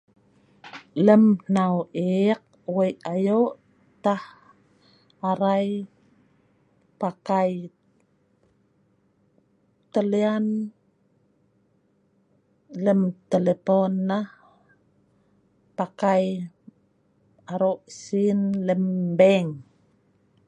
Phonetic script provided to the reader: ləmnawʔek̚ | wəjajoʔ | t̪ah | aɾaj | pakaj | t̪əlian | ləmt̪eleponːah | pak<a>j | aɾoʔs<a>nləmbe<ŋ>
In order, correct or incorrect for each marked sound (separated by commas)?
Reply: correct, incorrect, correct